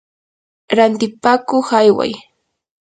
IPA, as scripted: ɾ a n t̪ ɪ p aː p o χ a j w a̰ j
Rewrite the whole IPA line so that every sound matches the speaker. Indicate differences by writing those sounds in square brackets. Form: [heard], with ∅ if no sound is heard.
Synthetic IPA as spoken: ɾ a n t̪ ɪ p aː [k] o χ a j w a̰ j